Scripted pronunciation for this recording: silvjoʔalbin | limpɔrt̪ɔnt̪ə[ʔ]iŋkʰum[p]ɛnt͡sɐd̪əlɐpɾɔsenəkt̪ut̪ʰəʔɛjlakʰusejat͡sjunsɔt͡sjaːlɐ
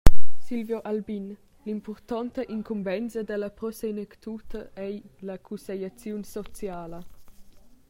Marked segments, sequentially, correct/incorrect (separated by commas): correct, incorrect